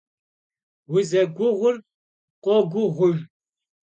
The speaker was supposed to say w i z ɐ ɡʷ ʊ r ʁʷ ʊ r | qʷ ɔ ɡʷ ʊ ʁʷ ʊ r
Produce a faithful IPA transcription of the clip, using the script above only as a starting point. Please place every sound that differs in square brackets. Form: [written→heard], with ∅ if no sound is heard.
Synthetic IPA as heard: w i z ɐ ɡʷ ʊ [r→∅] ʁʷ ʊ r | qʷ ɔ ɡʷ ʊ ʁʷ ʊ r